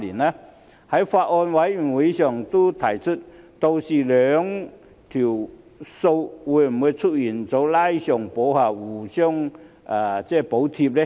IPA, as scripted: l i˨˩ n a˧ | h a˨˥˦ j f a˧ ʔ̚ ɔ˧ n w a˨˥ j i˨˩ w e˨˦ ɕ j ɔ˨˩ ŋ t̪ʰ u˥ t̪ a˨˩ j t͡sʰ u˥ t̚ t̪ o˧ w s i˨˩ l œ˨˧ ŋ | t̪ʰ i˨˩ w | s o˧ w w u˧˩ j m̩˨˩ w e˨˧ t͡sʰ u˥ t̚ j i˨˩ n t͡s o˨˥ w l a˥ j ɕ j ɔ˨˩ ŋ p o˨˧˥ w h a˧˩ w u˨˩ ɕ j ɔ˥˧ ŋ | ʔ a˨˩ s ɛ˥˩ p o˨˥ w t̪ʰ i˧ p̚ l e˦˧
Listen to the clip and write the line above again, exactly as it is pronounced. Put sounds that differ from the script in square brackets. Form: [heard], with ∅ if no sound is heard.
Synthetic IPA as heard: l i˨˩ n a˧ | h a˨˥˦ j f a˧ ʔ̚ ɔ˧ n w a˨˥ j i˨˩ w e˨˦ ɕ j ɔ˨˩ ŋ [t̪] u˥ [t̪ʰ] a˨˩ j t͡sʰ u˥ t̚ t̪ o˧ w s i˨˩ l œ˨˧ ŋ | t̪ʰ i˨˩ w | s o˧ w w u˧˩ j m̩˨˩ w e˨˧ t͡sʰ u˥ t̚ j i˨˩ n t͡s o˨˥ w l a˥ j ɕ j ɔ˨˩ ŋ p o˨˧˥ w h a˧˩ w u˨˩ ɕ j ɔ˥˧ ŋ | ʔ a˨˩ [t͡s] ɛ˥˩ p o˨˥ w t̪ʰ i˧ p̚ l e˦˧

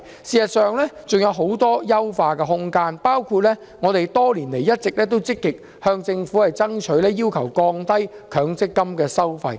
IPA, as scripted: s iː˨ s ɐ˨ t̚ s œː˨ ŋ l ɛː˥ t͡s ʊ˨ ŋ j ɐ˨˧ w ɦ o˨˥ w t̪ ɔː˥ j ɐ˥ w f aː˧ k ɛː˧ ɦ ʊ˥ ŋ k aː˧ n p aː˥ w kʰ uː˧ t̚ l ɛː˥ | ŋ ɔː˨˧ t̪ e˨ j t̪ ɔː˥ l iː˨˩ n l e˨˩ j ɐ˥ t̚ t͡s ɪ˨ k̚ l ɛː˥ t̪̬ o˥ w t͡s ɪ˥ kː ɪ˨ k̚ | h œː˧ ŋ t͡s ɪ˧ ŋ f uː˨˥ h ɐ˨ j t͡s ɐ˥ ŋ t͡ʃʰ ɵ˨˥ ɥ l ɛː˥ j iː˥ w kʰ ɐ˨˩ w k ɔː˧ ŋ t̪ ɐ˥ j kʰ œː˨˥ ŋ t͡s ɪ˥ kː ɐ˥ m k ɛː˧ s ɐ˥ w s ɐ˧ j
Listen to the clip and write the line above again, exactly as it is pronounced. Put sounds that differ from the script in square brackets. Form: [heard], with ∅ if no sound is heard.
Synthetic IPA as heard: s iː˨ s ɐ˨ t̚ s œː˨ ŋ l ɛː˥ t͡s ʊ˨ ŋ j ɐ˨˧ w ɦ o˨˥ w t̪ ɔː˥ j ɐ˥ w f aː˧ k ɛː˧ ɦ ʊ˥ ŋ k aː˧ n p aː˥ w kʰ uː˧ t̚ l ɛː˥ | ŋ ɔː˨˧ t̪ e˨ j t̪ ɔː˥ l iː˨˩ n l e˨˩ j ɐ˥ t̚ t͡s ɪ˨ k̚ l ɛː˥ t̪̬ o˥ w t͡s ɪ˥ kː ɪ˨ k̚ | h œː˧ ŋ t͡s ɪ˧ ŋ f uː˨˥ h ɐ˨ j t͡s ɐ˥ ŋ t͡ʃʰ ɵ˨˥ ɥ l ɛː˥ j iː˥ w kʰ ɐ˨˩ w k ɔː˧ ŋ t̪ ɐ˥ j kʰ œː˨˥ ŋ t͡s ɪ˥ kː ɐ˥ m k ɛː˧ s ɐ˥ w [f] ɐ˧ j

